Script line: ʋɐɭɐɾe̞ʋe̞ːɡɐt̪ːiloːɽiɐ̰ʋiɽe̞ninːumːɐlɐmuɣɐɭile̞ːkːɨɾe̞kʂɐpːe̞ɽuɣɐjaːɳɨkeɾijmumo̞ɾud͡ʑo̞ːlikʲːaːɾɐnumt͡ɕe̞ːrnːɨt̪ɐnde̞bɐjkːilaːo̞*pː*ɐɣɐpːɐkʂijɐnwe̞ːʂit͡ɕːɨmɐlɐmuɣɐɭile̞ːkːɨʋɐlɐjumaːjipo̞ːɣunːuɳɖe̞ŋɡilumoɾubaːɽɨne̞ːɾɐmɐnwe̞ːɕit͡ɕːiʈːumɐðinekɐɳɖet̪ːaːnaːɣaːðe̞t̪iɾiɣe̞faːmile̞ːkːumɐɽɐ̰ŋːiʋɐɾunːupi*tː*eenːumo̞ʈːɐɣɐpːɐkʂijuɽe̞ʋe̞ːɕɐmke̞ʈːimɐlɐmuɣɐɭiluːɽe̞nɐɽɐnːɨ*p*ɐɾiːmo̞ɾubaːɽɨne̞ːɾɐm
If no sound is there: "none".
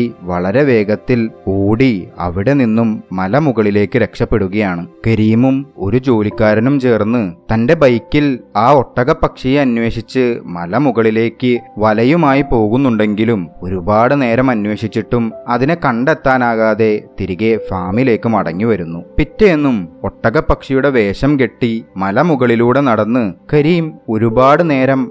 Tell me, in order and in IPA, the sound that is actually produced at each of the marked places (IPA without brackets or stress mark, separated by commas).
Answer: ʈː, tː, k